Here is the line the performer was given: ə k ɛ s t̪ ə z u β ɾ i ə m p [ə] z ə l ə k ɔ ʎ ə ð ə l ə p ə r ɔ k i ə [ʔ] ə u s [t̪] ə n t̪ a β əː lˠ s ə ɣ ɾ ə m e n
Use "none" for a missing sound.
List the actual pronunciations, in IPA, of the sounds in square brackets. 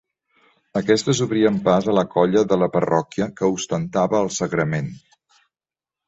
a, k, t̪

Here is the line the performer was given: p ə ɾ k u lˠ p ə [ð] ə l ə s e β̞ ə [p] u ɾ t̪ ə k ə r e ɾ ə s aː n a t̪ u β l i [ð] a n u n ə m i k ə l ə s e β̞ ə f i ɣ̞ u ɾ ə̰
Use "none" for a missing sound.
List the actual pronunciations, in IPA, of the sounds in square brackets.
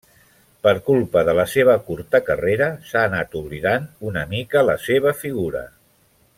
ð, k, ð

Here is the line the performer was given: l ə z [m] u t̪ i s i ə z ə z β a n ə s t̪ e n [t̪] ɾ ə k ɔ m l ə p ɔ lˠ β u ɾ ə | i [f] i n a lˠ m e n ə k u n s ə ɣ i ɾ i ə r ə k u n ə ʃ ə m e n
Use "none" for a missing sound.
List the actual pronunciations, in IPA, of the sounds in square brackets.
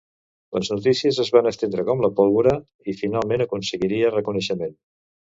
n, d̪, f

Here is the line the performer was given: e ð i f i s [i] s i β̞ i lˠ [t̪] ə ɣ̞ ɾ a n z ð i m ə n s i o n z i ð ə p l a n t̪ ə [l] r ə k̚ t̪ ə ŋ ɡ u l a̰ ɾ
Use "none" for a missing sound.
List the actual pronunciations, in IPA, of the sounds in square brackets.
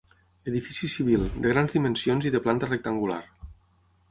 i, d̪, none

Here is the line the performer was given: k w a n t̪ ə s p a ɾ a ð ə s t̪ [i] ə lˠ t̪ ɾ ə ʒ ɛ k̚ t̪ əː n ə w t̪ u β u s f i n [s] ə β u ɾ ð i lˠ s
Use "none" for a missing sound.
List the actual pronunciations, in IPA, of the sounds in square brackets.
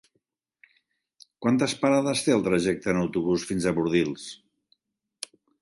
e, z

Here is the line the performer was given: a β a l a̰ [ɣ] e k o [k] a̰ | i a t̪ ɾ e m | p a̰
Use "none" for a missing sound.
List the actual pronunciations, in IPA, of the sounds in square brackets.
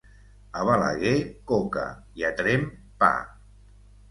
ɣ, k

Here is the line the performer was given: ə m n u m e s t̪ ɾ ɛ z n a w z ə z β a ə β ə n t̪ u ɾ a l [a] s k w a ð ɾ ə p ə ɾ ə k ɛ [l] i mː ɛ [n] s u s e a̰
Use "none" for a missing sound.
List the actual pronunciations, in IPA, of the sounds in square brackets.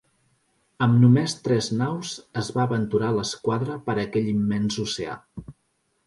ə, ʎ, n

